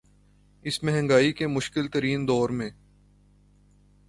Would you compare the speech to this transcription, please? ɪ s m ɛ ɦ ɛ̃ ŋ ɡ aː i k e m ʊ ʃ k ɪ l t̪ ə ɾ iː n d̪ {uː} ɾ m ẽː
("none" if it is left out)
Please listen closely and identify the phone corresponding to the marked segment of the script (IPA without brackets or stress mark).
ɔː